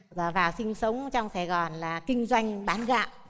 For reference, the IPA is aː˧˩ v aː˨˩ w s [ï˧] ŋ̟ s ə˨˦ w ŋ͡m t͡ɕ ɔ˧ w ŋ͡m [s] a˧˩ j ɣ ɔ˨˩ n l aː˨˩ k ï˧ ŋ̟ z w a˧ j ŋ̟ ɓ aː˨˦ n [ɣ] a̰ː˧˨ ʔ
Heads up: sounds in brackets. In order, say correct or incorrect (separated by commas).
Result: correct, correct, correct